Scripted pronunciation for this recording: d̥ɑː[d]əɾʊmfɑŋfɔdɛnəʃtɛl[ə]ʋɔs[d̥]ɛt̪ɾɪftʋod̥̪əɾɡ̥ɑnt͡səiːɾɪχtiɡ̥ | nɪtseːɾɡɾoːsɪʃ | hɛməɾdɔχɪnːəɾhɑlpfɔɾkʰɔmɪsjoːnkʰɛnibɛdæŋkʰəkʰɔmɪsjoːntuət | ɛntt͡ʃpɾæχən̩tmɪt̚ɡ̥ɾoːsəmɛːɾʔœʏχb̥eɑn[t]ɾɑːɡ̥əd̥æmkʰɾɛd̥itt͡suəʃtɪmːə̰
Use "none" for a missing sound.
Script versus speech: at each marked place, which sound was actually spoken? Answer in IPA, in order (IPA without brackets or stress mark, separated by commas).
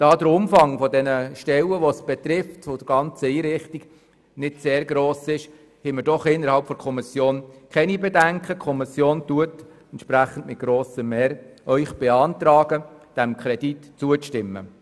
d, ə, b̥, t